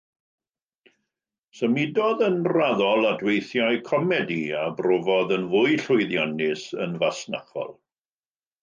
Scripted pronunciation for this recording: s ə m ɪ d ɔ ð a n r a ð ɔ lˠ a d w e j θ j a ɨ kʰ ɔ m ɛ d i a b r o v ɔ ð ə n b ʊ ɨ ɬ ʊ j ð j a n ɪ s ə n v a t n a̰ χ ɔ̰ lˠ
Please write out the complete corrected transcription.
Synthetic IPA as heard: s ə m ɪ d ɔ ð ə n r a ð ɔ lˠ a d w e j θ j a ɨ kʰ ɔ m ɛ d i a b r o v ɔ ð ə n v ʊ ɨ ɬ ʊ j ð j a n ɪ s ə n v a s n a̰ χ ɔ̰ lˠ

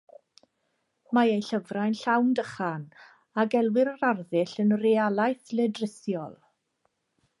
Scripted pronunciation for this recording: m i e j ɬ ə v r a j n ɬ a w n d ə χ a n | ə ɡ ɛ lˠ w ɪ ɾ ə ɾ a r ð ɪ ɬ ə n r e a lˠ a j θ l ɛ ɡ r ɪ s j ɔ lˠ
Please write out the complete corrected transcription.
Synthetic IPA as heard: m a e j ɬ ə v r a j n ɬ a w n d ə χ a n | a ɡ ɛ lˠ w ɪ ɾ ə ɾ a r ð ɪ ɬ ə n r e a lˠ a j θ l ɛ d r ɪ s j ɔ lˠ

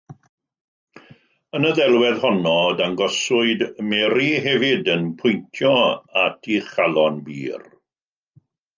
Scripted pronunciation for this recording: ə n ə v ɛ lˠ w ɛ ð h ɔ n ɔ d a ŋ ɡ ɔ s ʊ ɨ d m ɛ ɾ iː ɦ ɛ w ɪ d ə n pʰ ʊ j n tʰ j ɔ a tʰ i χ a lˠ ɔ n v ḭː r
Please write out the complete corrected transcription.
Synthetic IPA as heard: ə n ə ð ɛ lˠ w ɛ ð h ɔ n ɔ d a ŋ ɡ ɔ s ʊ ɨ d m ɛ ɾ i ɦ ɛ v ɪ d ə n pʰ ʊ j n tʰ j ɔ a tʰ i χ a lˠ ɔ n b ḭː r

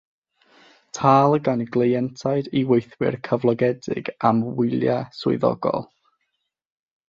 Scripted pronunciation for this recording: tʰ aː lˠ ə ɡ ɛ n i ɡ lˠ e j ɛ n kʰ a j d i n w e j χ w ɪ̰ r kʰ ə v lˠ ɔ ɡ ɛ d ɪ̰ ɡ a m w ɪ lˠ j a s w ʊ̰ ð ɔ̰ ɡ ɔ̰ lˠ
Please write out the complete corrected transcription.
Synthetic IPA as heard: tʰ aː lˠ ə ɡ a n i ɡ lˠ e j ɛ n tʰ a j d i w e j θ w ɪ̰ r kʰ ə v lˠ ɔ ɡ ɛ d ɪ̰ ɡ a m w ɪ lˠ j a s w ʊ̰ ð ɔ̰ ɡ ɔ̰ lˠ

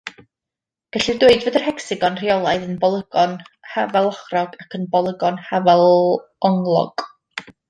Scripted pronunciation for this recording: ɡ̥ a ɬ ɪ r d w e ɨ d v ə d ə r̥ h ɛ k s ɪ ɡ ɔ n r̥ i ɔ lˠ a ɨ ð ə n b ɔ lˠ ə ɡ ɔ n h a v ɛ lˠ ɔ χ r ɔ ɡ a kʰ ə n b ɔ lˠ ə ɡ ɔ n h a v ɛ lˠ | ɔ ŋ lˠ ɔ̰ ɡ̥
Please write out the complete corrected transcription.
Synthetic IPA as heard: ɡ̥ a ɬ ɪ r d w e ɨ d v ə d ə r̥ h ɛ k s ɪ ɡ ɔ n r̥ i ɔ lˠ a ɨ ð ə n b ɔ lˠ ə ɡ ɔ n h a v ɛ lˠ ɔ χ r ɔ ɡ a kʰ ə n b ɔ lˠ ə ɡ ɔ n h a v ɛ lˠ | ɔ ŋ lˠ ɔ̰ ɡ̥

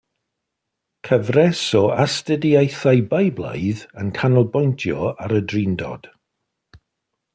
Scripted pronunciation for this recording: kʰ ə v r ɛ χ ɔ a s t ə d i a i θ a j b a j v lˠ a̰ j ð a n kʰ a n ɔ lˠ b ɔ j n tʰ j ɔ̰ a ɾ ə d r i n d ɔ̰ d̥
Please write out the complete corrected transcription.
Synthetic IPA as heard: kʰ ə v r ɛ s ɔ a s t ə d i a j θ a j b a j b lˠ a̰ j ð ə n kʰ a n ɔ lˠ b ɔ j n tʰ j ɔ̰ a ɾ ə d r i n d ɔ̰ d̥

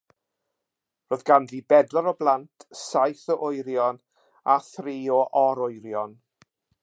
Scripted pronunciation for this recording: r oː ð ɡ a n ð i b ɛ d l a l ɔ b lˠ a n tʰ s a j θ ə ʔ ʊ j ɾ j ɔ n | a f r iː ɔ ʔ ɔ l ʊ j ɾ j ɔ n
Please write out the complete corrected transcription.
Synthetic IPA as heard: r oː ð ɡ a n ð i b ɛ d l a ɾ ɔ b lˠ a n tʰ s a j θ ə ʔ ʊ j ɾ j ɔ n | a θ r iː ɔ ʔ ɔ ɾ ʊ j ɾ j ɔ n

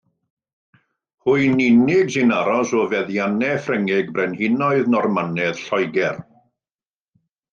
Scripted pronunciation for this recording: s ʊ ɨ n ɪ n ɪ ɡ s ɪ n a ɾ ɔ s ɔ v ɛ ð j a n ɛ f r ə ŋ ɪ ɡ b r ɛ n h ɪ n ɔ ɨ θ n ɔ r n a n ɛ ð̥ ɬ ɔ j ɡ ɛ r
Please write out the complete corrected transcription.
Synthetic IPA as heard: h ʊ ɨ n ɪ n ɪ ɡ s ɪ n a ɾ ɔ s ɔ v ɛ ð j a n ɛ f r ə ŋ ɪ ɡ b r ɛ n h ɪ n ɔ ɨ ð n ɔ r m a n ɛ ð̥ ɬ ɔ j ɡ ɛ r

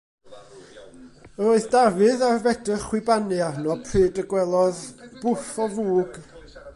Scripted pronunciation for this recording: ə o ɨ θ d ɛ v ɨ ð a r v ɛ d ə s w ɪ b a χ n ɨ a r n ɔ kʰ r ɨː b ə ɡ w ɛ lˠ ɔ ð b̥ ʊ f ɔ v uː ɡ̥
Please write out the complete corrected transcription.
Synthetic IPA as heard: ə o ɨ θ d a v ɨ ð a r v ɛ d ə χ w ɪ b a n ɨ a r n ɔ pʰ r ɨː d ə ɡ w ɛ lˠ ɔ ð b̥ ʊ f ɔ v uː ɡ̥

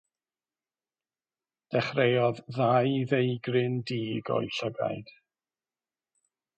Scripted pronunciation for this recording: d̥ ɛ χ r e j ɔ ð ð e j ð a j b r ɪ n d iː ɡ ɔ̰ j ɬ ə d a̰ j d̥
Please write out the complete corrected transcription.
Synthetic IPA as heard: d̥ ɛ χ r e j ɔ ð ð a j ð e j ɡ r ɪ n d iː ɡ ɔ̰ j ɬ ə ɡ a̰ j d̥

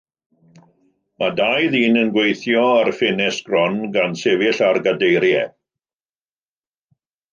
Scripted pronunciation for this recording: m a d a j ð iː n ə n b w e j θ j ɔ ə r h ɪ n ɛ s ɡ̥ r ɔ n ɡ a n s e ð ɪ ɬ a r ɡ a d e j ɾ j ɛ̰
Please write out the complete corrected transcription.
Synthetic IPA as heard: m a d a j ð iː n ə n ɡ w e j θ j ɔ a r f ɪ n ɛ s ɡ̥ r ɔ n ɡ a n s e v ɪ ɬ a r ɡ a d e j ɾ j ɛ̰

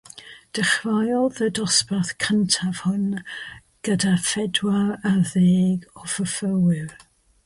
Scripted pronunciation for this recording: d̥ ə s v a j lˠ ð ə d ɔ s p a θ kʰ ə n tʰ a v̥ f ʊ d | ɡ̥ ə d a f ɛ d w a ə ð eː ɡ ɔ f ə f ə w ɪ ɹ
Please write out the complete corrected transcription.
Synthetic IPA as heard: d̥ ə χ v a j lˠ ð ə d ɔ s p a θ kʰ ə n tʰ a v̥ h ʊ n | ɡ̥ ə d a f ɛ d w a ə ð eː ɡ ɔ f ə f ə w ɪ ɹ

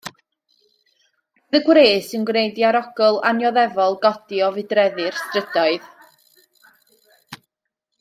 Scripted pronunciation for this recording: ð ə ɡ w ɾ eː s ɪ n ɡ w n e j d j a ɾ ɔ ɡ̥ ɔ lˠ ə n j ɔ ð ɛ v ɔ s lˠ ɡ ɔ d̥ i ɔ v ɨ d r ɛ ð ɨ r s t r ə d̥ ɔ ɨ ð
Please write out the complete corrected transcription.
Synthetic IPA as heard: ð ə ɡ w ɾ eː s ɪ n ɡ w n e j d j a ɾ ɔ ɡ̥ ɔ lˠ a n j ɔ ð ɛ v ɔ lˠ ɡ ɔ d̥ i ɔ v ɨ d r ɛ ð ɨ r s t r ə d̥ ɔ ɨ ð

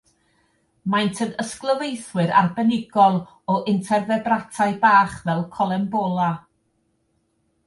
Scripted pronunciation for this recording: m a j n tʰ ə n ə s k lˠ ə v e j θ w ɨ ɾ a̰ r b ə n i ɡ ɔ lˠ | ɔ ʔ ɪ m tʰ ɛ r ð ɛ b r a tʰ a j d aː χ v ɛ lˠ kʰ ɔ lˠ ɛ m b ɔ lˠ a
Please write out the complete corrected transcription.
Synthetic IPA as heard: m a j n tʰ ə n ə s k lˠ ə v e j θ w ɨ ɾ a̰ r b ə n ɪ ɡ ɔ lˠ | ɔ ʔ ɪ n tʰ ɛ r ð ɛ b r a tʰ a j b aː χ v ɛ lˠ kʰ ɔ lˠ ɛ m b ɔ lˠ a

